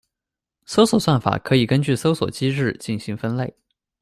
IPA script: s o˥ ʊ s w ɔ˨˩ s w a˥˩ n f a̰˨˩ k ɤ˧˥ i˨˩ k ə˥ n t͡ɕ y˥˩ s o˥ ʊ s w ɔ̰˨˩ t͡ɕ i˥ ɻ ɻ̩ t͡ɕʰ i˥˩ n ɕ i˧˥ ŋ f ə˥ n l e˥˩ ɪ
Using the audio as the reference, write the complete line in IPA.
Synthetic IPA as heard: s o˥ ʊ s w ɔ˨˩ s w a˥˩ n f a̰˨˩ kʰ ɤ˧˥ i˨˩ k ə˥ n t͡ɕ y˥˩ s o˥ ʊ s w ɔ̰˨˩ t͡ɕ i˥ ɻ ɻ̩ t͡ɕ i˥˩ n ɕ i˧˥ ŋ f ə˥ n l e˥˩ ɪ